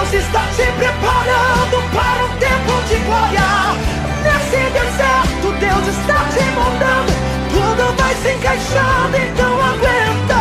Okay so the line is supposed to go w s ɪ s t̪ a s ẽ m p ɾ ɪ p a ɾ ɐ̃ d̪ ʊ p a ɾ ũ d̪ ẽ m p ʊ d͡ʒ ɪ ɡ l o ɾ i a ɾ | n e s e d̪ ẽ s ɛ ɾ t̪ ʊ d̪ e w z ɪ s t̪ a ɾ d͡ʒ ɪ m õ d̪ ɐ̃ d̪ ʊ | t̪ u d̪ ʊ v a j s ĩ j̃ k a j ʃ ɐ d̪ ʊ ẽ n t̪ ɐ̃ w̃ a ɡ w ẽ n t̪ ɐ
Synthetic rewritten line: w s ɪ s t̪ a s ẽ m p ɾ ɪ p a ɾ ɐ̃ d̪ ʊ p a ɾ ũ t̪ ẽ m p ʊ d͡ʒ ɪ ɡ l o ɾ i a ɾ | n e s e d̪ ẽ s ɛ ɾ t̪ ʊ d̪ e w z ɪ s t̪ a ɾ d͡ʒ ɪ m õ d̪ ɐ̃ d̪ ʊ | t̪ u d̪ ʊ v a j s ẽ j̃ k a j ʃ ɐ d̪ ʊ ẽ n t̪ ɐ̃ w̃ a ɡ w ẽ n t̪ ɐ